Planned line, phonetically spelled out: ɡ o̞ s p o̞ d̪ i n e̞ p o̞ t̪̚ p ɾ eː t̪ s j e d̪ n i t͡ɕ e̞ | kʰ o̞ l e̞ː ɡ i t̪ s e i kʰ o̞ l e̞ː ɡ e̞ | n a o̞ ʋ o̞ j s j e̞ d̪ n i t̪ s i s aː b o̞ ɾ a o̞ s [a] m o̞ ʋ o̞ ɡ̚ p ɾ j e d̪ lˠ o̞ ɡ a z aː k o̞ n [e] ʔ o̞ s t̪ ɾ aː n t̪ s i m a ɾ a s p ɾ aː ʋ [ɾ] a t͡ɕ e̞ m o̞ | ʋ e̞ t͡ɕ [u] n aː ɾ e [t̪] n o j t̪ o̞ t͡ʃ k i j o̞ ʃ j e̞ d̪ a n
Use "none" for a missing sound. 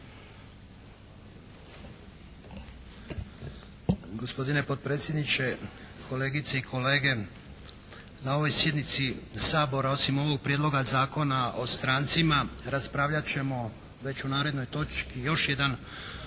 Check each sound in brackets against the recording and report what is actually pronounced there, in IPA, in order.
i, a, ʎ, u, d̪

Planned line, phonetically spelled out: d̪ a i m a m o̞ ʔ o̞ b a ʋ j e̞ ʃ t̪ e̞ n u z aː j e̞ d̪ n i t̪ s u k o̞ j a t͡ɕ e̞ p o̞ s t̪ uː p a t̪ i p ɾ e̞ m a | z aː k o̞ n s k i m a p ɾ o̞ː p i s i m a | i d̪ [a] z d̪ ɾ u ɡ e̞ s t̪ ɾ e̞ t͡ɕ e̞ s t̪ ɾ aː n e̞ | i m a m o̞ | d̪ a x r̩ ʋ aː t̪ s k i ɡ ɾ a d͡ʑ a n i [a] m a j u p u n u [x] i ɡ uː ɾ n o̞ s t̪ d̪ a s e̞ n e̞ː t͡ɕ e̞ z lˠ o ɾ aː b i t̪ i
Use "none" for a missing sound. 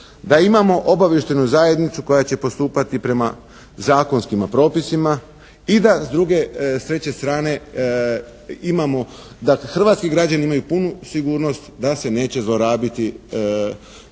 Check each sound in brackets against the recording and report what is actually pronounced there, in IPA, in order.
a, i, s

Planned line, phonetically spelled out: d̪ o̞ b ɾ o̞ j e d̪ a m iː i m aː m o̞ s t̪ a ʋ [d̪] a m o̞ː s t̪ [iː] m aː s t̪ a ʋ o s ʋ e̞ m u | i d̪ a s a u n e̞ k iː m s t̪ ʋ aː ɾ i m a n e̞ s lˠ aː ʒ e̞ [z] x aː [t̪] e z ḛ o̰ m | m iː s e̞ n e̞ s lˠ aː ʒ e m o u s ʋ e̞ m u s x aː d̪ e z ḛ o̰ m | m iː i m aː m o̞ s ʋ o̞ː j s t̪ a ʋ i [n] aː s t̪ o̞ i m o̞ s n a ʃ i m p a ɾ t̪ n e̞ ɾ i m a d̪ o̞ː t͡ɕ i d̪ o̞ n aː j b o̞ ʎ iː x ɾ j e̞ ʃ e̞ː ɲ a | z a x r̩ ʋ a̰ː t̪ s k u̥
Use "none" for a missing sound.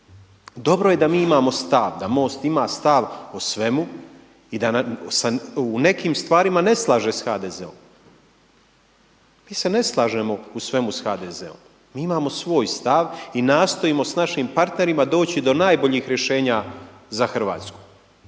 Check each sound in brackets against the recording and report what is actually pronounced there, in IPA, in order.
d̪, i, s, d̪, n

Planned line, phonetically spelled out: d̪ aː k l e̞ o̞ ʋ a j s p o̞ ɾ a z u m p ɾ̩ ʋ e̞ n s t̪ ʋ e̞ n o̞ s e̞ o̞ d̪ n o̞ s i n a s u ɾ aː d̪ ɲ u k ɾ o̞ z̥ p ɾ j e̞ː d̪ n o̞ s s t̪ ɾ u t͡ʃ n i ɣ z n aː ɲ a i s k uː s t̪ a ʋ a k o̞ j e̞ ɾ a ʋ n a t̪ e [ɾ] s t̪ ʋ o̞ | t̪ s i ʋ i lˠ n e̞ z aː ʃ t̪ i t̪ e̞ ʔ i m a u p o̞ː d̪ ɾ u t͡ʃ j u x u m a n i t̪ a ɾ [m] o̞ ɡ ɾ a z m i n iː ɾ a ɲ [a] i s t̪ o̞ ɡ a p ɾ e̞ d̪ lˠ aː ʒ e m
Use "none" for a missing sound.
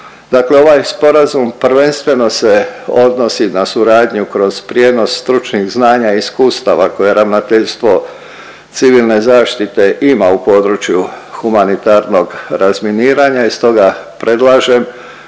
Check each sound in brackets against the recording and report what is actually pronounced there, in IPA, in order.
ʎ, n, a

